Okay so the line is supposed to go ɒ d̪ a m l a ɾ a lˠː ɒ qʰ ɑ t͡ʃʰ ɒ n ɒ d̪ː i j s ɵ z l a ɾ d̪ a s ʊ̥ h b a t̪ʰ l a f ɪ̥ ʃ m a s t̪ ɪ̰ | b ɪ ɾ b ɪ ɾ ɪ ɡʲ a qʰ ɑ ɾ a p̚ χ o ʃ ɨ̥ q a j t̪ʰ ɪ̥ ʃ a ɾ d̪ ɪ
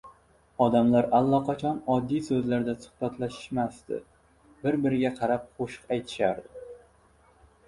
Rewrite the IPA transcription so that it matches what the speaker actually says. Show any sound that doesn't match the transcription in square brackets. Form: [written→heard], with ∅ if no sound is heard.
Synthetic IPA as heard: ɒ d̪ a m l a ɾ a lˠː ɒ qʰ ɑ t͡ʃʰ ɒ n ɒ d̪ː i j s ɵ z l a ɾ d̪ a s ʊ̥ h b a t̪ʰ l a [f→ʃ] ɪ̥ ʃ m a s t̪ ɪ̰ | b ɪ ɾ b ɪ ɾ ɪ ɡʲ a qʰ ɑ ɾ a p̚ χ o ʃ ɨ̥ q a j t̪ʰ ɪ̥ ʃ a ɾ d̪ ɪ